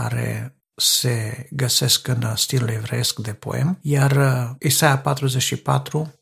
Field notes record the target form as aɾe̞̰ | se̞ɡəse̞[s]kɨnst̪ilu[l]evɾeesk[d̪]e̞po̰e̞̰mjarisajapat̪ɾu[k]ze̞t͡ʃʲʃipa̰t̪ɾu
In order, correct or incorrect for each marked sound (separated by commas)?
correct, correct, correct, incorrect